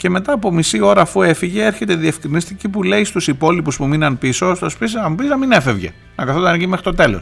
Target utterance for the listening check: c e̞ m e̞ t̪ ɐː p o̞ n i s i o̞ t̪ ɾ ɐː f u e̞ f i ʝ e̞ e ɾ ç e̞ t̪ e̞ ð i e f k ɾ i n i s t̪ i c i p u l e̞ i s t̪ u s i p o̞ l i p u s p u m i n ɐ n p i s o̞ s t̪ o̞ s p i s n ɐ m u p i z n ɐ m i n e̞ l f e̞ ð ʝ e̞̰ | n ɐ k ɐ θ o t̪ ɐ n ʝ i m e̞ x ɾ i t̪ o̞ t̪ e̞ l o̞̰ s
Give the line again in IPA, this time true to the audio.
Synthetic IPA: c e̞ m e̞ t̪ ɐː p o̞ m i s i o̞ ɾ ɐː f u e̞ f i ʝ e̞ e ɾ ç e̞ t̪ e̞ ð i e f k ɾ i n i s t̪ i c i p u l e̞ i s t̪ u s i p o̞ l i p u s p u m i n ɐ n p i s o̞ s t̪ o̞ s p i s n ɐ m u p i z n ɐ m i n e̞ f e̞ v ʝ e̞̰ | n ɐ k ɐ θ o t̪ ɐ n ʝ i m e̞ x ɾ i t̪ o̞ t̪ e̞ l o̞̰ s